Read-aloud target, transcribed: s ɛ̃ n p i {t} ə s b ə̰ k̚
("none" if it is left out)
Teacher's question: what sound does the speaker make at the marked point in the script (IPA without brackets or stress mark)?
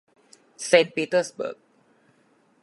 t